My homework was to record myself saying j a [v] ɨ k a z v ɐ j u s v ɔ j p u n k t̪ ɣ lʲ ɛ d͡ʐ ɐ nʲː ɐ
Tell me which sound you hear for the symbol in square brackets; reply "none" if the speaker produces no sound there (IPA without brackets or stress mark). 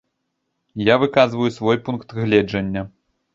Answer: v